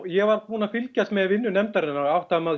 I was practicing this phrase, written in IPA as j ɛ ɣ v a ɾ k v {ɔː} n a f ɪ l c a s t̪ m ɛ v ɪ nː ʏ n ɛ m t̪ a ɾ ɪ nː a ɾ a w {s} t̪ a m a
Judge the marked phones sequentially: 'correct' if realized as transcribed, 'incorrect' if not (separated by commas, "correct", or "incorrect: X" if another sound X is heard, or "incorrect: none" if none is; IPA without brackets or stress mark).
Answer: incorrect: uː, incorrect: h